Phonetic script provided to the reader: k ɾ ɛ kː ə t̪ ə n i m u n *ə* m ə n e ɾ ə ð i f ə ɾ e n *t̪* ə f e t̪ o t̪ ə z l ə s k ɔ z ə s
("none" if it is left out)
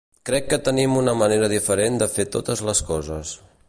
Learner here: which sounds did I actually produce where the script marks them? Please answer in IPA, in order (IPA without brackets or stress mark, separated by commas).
ə, d̪